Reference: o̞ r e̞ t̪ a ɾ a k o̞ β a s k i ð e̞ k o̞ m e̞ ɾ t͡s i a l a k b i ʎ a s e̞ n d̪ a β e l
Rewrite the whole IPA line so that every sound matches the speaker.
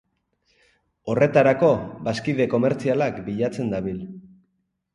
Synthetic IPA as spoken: o̞ r e̞ t̪ a ɾ a k o̞ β a s k i ð e̞ k o̞ m e̞ ɾ t͡s i a l a k b i ʎ a t͡s e̞ n d̪ a β i l